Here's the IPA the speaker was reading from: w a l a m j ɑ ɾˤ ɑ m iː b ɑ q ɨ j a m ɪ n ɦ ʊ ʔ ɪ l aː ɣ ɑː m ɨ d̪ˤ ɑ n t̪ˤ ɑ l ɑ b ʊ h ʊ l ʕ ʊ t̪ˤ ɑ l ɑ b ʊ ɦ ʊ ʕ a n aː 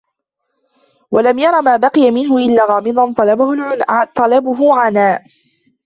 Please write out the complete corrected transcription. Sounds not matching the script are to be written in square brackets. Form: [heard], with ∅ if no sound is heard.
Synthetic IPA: w a l a m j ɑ ɾˤ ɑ m [aː] b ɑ q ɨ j a m ɪ n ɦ ʊ ʔ ɪ [lː] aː ɣ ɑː m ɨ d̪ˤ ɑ n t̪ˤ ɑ l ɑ b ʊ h ʊ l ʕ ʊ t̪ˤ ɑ l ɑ b ʊ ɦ ʊ ʕ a n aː